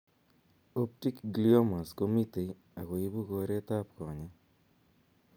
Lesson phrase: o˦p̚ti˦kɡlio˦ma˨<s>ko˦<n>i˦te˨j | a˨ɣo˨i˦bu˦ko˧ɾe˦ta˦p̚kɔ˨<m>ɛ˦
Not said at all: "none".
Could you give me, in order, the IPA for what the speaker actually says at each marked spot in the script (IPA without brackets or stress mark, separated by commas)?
s, m, ɲ